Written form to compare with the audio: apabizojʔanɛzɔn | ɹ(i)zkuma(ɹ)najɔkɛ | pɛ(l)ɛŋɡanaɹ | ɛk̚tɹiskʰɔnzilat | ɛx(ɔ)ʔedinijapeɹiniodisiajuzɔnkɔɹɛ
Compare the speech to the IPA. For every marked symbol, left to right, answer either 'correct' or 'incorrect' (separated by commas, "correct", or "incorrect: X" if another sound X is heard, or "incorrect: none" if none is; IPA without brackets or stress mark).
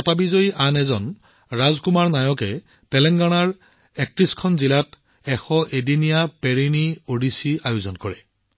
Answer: incorrect: a, correct, correct, correct